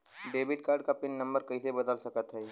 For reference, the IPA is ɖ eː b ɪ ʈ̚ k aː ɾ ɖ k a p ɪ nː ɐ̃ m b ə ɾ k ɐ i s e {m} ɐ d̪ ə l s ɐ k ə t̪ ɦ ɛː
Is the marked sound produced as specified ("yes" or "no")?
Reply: no